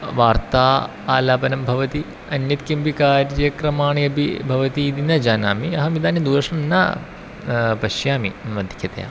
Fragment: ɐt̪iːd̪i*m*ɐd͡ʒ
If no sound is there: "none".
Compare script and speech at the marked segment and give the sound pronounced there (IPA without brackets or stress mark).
n